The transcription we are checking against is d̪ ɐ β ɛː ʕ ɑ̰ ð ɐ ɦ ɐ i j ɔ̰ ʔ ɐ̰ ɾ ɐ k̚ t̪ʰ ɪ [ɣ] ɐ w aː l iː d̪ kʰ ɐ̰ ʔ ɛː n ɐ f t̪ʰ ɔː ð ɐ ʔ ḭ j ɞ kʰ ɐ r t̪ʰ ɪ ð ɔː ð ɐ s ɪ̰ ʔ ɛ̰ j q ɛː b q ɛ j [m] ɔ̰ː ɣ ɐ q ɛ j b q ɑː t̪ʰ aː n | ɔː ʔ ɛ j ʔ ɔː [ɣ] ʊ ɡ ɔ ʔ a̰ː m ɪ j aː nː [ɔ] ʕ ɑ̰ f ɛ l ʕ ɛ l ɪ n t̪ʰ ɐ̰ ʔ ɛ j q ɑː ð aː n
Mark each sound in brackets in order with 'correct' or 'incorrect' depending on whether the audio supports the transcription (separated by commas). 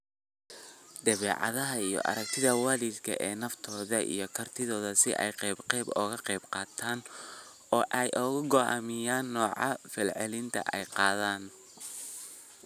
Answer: incorrect, incorrect, correct, incorrect